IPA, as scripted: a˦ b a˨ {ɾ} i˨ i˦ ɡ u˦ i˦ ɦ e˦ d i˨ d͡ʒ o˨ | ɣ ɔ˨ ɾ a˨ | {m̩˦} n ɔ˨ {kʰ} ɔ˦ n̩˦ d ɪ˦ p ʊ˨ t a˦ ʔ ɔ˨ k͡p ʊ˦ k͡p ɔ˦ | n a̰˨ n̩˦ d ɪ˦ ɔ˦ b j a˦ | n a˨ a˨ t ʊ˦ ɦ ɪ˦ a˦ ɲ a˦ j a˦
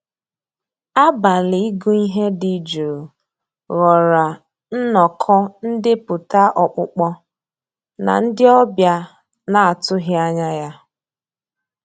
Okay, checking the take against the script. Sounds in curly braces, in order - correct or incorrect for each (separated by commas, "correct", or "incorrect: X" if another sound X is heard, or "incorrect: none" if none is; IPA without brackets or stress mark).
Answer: incorrect: l, incorrect: n̩˦, correct